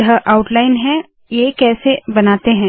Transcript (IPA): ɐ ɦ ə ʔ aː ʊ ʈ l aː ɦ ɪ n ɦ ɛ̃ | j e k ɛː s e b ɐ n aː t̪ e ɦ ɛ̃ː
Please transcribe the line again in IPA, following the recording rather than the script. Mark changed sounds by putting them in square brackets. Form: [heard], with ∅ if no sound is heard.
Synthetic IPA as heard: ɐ ɦ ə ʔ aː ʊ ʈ l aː [∅] ɪ n ɦ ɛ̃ | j e k ɛː s e b ɐ n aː t̪ e ɦ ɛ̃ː